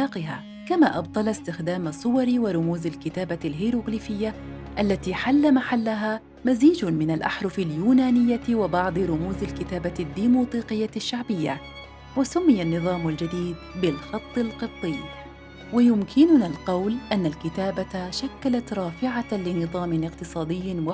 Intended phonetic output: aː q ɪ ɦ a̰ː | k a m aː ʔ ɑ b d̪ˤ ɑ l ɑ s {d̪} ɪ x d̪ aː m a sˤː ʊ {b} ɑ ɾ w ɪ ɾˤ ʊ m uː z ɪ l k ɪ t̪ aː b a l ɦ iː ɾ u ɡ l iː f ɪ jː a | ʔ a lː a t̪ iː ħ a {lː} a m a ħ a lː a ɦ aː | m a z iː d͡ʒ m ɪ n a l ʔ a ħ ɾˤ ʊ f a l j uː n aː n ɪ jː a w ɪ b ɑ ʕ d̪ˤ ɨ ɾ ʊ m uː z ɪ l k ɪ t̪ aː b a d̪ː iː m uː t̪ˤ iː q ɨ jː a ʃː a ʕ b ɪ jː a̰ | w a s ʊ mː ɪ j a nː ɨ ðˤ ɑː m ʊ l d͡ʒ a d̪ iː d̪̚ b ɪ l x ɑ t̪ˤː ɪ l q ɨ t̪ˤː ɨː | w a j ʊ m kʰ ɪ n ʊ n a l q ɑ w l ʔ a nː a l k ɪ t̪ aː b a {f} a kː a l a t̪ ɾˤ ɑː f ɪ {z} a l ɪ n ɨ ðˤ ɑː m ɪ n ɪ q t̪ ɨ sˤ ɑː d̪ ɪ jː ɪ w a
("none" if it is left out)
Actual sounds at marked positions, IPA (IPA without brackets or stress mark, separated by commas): t̪, w, lː, ʃ, ʕ